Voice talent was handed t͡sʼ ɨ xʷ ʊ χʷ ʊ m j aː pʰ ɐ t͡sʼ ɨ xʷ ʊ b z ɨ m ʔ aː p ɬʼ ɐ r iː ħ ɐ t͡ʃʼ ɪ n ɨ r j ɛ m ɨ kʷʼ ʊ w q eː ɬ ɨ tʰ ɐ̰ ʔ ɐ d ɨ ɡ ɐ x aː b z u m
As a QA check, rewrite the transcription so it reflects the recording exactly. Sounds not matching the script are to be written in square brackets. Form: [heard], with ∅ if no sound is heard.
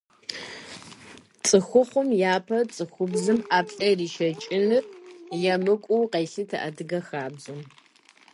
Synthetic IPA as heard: t͡sʼ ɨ xʷ ʊ χʷ ʊ m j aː pʰ ɐ t͡sʼ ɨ xʷ ʊ b z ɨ m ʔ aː p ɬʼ ɐ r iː [ʃ] ɐ t͡ʃʼ ɪ n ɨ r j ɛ m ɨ kʷʼ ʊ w q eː ɬ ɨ tʰ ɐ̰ ʔ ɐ d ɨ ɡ ɐ x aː b z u m